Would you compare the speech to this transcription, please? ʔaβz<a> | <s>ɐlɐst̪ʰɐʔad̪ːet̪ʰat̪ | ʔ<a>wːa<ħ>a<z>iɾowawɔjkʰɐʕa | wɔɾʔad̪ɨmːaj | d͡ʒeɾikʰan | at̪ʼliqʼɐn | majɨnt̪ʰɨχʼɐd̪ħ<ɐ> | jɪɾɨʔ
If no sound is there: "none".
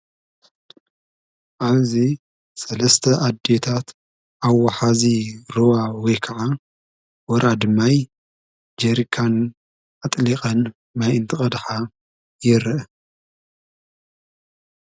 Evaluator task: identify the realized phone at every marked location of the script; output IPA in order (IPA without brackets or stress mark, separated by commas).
i, s, a, ħ, z, a